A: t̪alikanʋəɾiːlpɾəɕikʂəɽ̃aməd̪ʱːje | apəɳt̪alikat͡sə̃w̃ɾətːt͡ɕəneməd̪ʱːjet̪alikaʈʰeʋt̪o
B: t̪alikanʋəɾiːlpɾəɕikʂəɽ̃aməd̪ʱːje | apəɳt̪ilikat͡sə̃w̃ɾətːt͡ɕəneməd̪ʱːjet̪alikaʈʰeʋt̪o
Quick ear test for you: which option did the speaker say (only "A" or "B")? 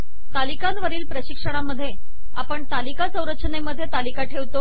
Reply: A